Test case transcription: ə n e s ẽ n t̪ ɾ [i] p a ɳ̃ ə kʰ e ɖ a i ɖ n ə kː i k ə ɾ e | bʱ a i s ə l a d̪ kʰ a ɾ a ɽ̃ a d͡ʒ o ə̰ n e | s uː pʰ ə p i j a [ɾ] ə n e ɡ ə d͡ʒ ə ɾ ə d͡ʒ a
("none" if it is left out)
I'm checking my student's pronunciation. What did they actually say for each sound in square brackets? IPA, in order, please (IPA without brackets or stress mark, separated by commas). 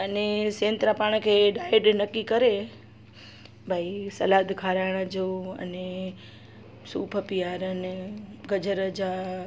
a, ɾ